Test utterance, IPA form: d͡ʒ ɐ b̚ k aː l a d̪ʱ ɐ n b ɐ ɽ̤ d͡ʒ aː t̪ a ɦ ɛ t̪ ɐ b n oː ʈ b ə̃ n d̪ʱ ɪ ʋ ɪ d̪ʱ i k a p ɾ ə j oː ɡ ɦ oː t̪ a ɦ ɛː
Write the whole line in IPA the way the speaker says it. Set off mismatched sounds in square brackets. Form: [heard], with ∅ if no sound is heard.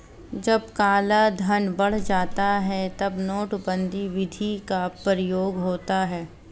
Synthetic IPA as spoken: d͡ʒ ɐ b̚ k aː l a d̪ʱ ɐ n b ɐ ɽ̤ d͡ʒ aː t̪ a ɦ ɛ t̪ ɐ b n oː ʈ b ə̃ n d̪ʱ [i] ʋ ɪ d̪ʱ i k a p ɾ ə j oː ɡ ɦ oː t̪ a ɦ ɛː